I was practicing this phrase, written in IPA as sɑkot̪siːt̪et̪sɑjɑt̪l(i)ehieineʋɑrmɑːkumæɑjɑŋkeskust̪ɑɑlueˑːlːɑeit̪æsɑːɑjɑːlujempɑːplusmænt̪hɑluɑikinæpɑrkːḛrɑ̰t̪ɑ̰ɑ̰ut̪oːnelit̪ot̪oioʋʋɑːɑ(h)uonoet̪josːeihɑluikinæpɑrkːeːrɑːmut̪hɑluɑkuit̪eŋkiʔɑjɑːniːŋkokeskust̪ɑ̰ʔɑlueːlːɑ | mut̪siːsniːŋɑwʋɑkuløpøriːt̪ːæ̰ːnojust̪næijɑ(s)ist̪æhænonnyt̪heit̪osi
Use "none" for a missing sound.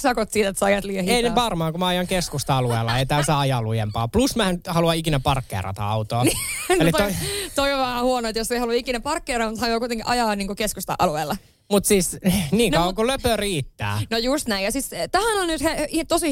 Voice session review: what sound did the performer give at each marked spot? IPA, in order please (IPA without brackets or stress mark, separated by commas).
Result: i, h, s